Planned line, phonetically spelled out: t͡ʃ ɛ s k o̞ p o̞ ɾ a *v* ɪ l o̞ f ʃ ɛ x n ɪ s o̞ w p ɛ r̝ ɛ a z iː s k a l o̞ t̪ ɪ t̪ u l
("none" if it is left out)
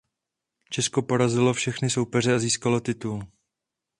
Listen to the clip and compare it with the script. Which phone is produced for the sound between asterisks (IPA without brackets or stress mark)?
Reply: z